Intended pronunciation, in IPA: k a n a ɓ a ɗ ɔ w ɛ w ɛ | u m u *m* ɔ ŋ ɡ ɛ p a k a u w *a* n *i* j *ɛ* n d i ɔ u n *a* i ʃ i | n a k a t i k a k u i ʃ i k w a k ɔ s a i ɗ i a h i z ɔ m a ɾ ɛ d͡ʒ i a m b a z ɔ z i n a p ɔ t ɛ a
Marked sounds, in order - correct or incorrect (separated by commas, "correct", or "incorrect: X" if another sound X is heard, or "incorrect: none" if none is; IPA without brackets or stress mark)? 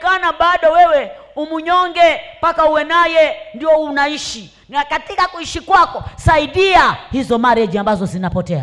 incorrect: ɲ, incorrect: ɛ, incorrect: a, correct, correct